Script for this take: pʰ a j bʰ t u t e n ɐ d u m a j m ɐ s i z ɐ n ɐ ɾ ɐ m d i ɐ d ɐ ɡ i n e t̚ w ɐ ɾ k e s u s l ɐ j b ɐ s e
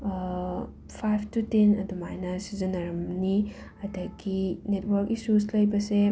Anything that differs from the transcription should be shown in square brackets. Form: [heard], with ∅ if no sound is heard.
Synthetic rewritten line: pʰ a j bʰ t u t e n ɐ d u m a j [n] ɐ s i z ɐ n ɐ ɾ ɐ m [n] i ɐ d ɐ ɡ i n e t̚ w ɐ ɾ k [i] s u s l ɐ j b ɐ s e